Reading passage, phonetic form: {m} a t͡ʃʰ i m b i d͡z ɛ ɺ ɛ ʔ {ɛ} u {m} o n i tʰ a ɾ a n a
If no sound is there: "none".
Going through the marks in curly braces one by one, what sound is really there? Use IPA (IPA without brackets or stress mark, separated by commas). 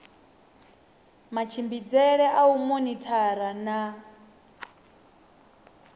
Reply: m, a, m